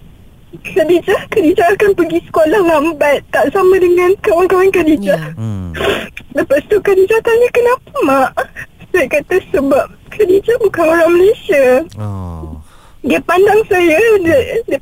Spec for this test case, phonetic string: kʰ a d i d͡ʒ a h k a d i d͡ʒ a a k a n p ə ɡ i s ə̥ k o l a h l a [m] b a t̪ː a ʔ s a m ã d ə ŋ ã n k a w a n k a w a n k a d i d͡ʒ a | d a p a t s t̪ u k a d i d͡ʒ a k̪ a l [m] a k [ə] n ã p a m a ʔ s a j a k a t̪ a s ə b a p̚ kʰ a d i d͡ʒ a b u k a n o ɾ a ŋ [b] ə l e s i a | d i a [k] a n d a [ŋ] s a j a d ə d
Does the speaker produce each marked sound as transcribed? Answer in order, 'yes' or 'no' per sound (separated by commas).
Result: yes, no, yes, no, no, yes